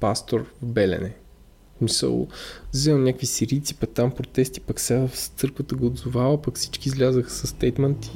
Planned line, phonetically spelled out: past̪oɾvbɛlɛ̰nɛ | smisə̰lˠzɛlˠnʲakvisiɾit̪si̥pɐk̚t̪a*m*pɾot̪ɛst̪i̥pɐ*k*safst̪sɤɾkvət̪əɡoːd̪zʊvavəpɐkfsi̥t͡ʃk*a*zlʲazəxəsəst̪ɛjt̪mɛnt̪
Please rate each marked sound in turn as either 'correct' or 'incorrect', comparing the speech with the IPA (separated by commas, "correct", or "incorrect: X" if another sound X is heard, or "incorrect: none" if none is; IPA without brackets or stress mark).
correct, correct, incorrect: i